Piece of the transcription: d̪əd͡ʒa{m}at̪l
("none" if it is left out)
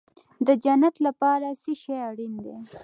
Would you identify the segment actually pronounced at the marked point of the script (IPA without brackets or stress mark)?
n